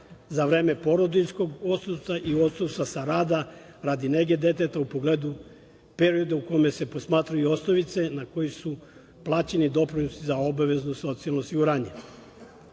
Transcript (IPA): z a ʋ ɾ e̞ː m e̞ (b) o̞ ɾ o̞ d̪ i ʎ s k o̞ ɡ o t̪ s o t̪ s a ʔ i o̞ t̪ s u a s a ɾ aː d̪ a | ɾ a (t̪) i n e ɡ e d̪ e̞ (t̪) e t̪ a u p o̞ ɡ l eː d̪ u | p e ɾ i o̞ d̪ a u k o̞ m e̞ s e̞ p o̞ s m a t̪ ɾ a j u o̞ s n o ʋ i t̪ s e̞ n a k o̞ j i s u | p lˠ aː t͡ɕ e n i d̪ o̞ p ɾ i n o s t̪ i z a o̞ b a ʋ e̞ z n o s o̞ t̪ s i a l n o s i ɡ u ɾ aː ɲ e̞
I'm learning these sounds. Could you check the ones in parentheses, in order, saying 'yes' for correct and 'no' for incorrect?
no, no, yes

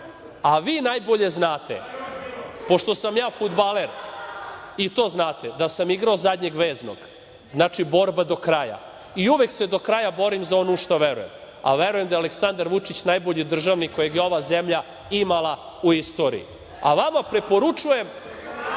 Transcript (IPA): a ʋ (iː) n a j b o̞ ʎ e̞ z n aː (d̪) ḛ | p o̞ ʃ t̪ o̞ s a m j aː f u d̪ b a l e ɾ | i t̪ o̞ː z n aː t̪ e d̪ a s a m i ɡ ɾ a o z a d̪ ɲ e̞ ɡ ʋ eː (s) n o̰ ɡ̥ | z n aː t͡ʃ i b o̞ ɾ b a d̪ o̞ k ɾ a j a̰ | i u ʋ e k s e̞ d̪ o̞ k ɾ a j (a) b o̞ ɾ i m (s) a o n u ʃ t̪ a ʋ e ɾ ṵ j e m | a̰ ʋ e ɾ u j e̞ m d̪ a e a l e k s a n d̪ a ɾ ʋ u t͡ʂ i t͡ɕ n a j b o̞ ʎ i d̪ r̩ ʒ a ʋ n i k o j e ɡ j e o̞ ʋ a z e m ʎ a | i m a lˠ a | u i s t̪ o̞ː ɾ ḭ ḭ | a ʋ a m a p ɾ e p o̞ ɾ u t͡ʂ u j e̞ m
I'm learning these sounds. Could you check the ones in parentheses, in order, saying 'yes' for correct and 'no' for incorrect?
yes, no, no, yes, no

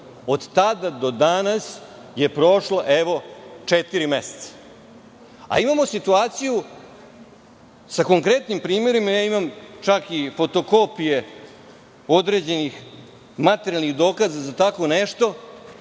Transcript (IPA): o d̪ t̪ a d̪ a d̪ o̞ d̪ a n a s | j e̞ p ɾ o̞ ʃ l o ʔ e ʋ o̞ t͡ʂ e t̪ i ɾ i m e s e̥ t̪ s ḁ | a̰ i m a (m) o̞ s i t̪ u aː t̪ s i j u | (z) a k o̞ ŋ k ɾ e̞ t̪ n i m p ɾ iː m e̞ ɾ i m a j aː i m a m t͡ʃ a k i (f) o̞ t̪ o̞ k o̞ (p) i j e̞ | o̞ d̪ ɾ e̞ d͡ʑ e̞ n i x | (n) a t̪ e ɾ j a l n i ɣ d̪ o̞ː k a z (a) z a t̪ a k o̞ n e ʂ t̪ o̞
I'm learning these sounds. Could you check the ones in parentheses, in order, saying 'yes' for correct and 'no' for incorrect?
yes, no, yes, yes, no, yes

